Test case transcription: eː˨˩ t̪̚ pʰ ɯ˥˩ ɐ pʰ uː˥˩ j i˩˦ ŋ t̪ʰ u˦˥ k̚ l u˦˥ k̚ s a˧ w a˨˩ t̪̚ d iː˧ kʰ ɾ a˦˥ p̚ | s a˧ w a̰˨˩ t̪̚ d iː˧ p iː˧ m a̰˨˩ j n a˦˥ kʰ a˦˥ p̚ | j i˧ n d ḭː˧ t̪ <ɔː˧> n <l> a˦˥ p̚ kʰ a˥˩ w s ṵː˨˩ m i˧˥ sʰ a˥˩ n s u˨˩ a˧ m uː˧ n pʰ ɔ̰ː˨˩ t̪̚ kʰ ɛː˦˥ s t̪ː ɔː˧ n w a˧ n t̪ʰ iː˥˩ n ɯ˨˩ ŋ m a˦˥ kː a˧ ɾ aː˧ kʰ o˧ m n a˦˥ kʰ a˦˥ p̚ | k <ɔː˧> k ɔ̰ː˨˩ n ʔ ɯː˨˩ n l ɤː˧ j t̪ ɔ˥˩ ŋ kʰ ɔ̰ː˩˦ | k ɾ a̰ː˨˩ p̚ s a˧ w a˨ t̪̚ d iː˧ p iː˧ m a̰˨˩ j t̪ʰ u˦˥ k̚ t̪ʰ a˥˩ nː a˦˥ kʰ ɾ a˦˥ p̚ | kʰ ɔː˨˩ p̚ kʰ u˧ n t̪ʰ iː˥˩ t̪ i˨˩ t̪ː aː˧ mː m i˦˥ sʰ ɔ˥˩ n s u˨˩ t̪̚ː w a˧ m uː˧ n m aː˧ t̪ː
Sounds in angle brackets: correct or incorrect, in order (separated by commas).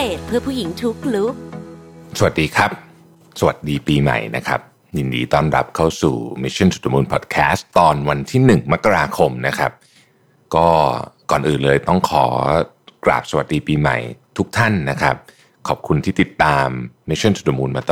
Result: incorrect, incorrect, incorrect